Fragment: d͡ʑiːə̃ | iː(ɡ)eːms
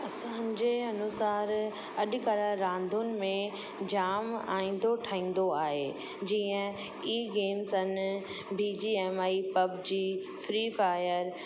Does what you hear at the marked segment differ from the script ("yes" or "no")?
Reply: no